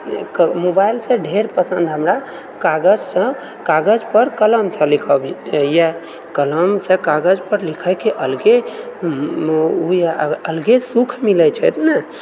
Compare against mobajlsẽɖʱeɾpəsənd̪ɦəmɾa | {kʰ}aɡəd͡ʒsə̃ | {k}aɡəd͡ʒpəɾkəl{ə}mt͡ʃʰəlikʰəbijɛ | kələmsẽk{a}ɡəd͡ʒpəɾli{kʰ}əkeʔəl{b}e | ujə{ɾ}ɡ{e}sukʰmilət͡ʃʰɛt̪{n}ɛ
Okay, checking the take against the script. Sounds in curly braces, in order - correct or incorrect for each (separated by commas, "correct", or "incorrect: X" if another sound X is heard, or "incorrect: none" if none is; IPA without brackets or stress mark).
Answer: incorrect: k, correct, correct, correct, correct, incorrect: ɡ, incorrect: l, correct, correct